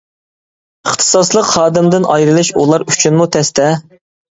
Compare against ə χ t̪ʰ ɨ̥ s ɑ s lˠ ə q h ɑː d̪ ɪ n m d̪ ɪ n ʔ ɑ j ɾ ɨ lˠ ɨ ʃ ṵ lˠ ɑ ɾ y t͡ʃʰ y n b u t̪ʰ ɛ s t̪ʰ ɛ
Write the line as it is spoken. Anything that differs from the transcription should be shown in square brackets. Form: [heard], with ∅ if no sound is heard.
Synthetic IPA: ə χ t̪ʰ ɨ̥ s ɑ s lˠ ə q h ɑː d̪ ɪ [∅] m d̪ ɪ n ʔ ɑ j ɾ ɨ lˠ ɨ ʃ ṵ lˠ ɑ ɾ y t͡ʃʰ y n [m] u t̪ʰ ɛ s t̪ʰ ɛ